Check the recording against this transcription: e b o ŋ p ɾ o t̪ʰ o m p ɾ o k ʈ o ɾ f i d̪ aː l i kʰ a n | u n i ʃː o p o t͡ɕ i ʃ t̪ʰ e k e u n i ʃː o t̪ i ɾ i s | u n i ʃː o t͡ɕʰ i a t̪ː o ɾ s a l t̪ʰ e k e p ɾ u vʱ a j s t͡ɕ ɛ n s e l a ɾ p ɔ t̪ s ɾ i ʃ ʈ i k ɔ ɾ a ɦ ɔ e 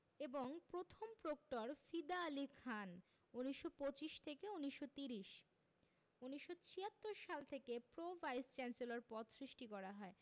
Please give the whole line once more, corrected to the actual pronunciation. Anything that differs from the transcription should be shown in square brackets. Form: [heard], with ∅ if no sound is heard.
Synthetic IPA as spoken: e b o ŋ p ɾ o t̪ʰ o m p ɾ o k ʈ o ɾ f i d̪ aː l i kʰ a n | u n i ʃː o p o t͡ɕ i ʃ t̪ʰ e k e u n i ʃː o t̪ i ɾ i [ʃ] | u n i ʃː o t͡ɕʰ i a t̪ː o ɾ [ʃ] a l t̪ʰ e k e p ɾ [o] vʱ a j s t͡ɕ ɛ n s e l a ɾ p ɔ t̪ s ɾ i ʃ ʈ i k ɔ ɾ a ɦ ɔ e

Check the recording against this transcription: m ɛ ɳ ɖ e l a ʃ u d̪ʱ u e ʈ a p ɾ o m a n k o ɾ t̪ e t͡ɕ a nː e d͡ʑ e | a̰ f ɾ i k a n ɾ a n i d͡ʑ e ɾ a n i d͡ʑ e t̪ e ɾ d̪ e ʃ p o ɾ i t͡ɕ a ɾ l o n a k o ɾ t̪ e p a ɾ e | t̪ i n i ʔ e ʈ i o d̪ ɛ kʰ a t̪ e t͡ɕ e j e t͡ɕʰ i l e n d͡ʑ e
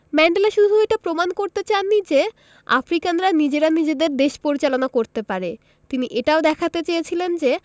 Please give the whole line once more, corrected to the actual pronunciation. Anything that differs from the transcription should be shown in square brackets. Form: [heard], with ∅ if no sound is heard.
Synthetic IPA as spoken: m ɛ ɳ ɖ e l a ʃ u d̪ʱ u e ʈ a p ɾ o m a n k o ɾ t̪ e t͡ɕ a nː [i] d͡ʑ e | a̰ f ɾ i k a n ɾ a n i d͡ʑ e ɾ a n i d͡ʑ e [d̪] e ɾ d̪ e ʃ p o ɾ i t͡ɕ a [∅] l o n a k o ɾ t̪ e p a ɾ e | t̪ i n i ʔ e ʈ [a] o d̪ ɛ kʰ a t̪ e t͡ɕ e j e t͡ɕʰ i l e n d͡ʑ e

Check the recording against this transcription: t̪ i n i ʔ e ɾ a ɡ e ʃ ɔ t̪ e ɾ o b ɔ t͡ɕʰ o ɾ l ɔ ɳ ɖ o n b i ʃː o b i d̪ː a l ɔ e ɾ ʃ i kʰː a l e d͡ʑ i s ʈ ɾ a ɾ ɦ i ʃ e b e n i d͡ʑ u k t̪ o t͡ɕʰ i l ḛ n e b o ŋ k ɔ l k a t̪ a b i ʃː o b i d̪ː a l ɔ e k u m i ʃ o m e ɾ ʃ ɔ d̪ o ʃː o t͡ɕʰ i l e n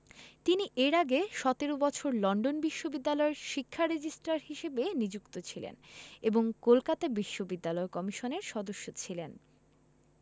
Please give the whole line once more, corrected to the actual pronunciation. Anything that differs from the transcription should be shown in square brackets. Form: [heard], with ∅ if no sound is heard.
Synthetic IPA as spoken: t̪ i n i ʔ e ɾ a ɡ e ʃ ɔ t̪ e ɾ o b ɔ t͡ɕʰ o ɾ l ɔ ɳ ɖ o n b i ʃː o b i d̪ː a l ɔ e ɾ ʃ i kʰː a [ɾ] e d͡ʑ i s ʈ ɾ a ɾ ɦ i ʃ e b e n i d͡ʑ u k t̪ o t͡ɕʰ i l ḛ n e b o ŋ k [o] l k a t̪ a b i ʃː o b i d̪ː a l ɔ e k [ɔ] m i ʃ o [n] e ɾ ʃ ɔ d̪ o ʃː o t͡ɕʰ i l e n

